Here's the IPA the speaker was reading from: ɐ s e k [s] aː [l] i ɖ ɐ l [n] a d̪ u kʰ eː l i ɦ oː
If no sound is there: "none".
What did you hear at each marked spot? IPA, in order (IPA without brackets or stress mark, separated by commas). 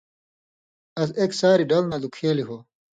s, ɾ, n